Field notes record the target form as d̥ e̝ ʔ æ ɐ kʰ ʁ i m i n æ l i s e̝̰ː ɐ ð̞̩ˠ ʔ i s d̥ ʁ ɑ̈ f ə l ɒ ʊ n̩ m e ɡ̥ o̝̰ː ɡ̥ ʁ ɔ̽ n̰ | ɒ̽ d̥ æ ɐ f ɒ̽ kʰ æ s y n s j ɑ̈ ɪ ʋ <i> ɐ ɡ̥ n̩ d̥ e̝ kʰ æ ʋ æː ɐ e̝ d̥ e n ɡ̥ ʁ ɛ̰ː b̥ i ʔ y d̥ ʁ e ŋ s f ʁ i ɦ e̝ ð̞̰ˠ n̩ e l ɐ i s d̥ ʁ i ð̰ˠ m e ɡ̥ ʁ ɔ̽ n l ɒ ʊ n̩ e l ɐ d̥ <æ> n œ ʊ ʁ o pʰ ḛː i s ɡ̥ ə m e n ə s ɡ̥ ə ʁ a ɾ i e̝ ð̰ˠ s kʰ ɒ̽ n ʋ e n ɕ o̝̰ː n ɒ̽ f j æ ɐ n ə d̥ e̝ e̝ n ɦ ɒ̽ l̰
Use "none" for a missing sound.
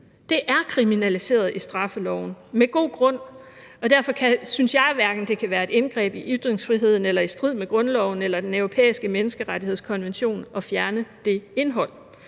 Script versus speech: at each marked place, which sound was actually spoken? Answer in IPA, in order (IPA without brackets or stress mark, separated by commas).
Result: æ, e